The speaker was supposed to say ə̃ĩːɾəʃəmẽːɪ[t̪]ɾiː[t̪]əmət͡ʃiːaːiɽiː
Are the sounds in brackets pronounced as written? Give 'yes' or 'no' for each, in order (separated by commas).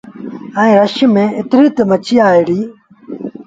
yes, yes